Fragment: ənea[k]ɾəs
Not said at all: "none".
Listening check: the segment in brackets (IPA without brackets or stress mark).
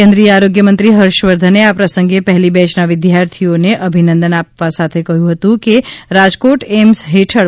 p